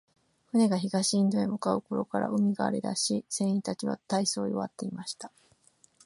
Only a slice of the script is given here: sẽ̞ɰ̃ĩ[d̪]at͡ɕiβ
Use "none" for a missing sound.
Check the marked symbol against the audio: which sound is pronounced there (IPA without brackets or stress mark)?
t̪